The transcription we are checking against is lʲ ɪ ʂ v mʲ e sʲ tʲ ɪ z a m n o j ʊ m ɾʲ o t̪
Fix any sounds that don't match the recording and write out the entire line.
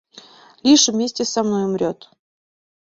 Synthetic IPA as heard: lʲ i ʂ v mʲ e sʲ tʲ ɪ s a m n o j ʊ m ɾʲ o t̪

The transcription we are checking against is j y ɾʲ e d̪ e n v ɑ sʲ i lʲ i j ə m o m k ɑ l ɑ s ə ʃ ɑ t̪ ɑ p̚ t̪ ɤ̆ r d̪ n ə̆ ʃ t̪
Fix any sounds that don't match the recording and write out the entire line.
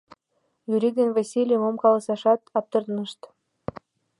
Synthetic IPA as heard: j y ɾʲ i d̪ e n v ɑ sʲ i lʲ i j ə m o m k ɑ l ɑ s ɑ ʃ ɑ t̪ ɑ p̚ t̪ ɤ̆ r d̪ n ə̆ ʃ t̪

